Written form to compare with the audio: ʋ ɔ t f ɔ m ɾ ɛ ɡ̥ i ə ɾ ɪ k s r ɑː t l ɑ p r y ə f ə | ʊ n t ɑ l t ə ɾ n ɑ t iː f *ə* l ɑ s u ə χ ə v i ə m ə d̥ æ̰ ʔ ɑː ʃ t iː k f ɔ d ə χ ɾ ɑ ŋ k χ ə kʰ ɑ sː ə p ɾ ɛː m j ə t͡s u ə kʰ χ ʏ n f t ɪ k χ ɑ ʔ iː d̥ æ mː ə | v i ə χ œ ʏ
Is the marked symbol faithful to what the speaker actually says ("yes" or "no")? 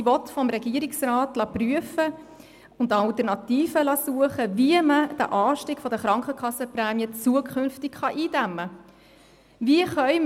yes